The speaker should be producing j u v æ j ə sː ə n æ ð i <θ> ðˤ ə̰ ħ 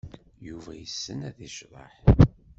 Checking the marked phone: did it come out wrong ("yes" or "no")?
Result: yes